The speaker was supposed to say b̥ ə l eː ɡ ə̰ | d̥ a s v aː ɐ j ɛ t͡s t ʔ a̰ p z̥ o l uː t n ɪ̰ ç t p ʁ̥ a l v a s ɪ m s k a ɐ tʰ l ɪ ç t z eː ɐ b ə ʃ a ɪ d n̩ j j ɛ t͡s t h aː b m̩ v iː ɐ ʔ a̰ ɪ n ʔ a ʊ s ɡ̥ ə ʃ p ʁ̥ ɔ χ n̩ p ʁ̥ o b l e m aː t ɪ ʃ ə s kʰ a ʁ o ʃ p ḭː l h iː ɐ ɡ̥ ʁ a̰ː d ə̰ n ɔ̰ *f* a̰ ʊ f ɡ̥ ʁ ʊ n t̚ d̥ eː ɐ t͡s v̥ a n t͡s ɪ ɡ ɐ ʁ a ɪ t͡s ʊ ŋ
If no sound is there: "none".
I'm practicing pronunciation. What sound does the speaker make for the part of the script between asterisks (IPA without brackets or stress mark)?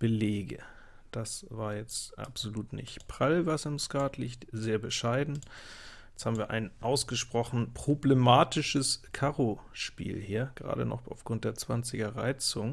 χ